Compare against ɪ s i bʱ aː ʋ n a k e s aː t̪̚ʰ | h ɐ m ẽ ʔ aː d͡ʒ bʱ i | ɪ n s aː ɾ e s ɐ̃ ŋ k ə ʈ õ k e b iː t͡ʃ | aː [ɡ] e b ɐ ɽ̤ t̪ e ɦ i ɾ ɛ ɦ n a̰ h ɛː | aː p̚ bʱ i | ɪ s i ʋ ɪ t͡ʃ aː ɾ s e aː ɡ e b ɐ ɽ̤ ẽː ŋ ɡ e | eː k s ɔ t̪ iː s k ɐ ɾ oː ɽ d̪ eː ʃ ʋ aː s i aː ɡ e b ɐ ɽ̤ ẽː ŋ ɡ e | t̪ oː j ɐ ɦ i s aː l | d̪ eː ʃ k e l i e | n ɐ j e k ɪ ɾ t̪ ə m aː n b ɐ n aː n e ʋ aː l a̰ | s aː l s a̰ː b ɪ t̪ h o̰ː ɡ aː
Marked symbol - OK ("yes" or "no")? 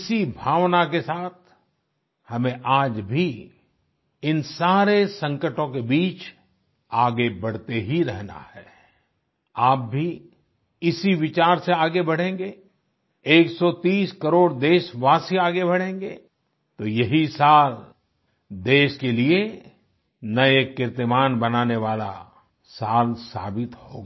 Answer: yes